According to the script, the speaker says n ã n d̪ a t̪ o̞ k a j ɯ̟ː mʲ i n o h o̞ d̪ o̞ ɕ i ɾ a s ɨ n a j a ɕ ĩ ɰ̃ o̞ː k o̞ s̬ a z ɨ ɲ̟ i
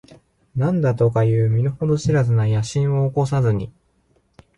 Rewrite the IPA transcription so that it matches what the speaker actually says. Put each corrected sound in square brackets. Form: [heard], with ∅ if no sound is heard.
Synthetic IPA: n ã n d̪ a t̪ o̞ k a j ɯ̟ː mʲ i n o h o̞ d̪ o̞ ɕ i ɾ a [z] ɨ n a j a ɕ ĩ ɰ̃ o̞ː k o̞ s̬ a z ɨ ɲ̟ i